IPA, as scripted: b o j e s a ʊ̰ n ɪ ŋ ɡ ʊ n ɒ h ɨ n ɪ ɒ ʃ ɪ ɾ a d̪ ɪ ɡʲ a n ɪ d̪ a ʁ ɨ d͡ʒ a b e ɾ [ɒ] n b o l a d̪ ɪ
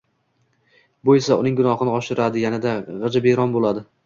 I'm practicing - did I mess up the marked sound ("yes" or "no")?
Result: no